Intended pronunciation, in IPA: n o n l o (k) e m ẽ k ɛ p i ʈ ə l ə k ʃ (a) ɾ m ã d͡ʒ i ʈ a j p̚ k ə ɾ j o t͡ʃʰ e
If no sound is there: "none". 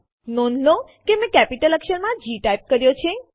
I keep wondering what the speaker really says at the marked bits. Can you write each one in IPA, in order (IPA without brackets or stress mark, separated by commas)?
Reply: k, ə